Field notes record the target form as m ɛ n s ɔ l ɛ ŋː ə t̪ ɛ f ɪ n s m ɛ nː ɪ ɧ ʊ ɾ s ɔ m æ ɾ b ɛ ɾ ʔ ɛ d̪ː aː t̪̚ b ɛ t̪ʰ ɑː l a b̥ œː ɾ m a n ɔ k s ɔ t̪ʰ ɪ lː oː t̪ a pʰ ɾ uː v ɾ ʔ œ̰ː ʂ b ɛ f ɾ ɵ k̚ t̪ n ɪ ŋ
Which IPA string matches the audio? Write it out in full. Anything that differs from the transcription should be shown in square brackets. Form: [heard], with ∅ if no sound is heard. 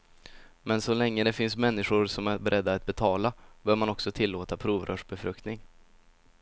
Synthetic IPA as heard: m ɛ n s ɔ l ɛ ŋː ə [d̪] ɛ f ɪ n s m ɛ nː ɪ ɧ ʊ ɾ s ɔ m æ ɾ b ɛ ɾ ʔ ɛ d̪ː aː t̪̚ b ɛ t̪ʰ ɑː l a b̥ œː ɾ m a n ɔ k s ɔ t̪ʰ ɪ lː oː t̪ a pʰ ɾ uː v ɾ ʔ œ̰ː ʂ b ɛ f ɾ ɵ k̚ t̪ n ɪ ŋ